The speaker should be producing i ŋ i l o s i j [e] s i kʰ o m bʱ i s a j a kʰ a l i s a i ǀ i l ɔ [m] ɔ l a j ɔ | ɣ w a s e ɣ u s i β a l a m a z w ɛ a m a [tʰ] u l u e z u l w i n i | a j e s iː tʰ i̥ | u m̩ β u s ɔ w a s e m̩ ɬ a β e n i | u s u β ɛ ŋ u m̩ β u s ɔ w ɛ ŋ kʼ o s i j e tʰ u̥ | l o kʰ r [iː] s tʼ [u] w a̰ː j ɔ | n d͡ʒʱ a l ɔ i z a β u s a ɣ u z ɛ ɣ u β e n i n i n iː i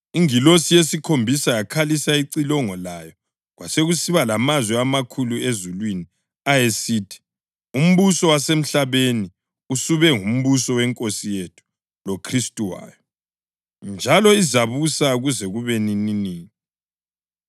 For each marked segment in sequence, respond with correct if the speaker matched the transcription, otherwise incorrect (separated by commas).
correct, incorrect, incorrect, incorrect, correct